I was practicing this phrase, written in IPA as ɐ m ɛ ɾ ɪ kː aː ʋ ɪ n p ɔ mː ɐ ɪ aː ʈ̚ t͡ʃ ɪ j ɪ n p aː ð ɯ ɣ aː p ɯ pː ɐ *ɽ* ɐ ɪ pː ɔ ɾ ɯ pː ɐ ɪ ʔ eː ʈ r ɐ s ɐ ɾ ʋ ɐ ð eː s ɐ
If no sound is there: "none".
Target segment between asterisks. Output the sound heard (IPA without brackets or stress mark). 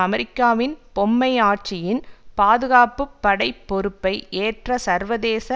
ɽ